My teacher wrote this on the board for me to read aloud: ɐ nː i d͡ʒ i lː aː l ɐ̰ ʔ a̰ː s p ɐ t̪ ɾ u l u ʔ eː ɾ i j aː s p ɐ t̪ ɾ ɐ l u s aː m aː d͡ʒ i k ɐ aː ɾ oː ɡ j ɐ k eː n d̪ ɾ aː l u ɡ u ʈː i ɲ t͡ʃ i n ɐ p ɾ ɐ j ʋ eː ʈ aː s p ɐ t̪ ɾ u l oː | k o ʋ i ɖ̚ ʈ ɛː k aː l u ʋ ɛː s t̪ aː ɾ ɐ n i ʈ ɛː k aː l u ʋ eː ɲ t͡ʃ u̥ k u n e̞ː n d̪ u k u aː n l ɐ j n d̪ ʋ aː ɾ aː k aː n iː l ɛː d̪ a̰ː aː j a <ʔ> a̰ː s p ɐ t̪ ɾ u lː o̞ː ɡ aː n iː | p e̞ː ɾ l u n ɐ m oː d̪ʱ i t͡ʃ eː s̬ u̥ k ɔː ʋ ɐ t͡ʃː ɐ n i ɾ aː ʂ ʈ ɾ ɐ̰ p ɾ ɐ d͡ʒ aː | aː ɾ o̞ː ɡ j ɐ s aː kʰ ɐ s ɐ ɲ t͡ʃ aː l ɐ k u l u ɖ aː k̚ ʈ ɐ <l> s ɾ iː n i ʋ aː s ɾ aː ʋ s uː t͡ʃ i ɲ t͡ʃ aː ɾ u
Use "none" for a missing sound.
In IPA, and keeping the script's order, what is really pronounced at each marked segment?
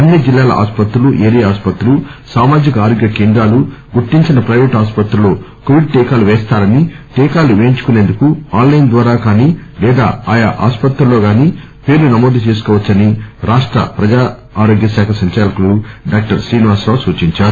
ʔ, ɾ

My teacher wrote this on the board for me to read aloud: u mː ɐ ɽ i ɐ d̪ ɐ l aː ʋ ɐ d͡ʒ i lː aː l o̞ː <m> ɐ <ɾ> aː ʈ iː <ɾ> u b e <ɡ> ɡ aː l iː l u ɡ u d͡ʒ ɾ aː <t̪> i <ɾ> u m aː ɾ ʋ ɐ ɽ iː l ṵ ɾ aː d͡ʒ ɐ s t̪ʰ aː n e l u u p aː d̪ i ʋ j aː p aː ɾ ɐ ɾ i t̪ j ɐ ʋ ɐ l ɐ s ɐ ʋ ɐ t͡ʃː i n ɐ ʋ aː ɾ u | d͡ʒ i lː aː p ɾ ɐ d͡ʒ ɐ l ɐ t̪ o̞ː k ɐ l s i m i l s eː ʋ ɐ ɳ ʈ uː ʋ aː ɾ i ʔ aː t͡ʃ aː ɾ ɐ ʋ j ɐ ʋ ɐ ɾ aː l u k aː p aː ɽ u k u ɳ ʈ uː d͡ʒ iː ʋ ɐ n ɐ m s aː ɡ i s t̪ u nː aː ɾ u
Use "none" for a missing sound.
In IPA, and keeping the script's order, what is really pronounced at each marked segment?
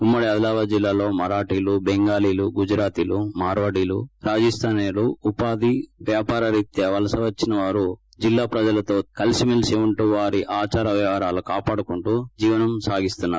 m, ɾ, l, ŋ, t̪, l

